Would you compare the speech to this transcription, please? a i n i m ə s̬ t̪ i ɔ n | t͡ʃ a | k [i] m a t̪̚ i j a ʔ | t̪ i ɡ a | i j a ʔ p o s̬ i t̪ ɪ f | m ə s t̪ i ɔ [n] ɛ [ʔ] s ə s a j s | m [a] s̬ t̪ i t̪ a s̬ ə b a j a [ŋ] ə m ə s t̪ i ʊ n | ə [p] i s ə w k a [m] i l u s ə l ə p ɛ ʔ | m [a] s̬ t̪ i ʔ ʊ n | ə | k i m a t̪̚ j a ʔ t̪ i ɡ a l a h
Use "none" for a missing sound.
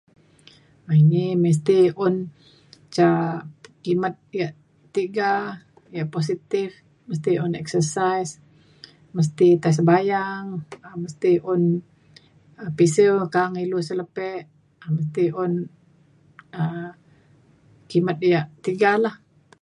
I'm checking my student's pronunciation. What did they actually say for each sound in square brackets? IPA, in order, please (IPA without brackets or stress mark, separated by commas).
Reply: i, n, k, ə, ŋ, p, ŋ, ə